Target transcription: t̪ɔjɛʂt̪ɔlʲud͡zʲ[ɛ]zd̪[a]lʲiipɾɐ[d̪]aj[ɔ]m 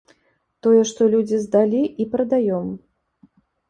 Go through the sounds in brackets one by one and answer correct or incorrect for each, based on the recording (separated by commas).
incorrect, correct, correct, correct